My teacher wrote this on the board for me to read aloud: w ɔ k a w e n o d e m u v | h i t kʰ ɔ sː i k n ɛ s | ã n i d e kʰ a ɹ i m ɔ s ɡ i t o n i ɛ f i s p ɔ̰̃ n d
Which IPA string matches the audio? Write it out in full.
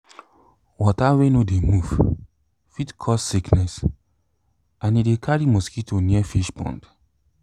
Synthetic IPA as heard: w ɔ t a w e n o d e m u v | f i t kʰ ɔ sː i k n ɛ s | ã n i d e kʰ a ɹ i m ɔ s k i t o n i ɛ f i ʃ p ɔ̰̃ n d